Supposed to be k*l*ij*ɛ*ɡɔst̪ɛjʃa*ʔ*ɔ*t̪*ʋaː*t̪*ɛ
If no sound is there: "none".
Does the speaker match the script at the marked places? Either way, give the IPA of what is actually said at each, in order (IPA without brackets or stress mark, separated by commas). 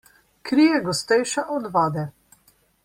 ɾ, ɛ, ʔ, d̪, d̪